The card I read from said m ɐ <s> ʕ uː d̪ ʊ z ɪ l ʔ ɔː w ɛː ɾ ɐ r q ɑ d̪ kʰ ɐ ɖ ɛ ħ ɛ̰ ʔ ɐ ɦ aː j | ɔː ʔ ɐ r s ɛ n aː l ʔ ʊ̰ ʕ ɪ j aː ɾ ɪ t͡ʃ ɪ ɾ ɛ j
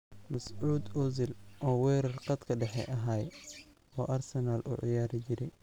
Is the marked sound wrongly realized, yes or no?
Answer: no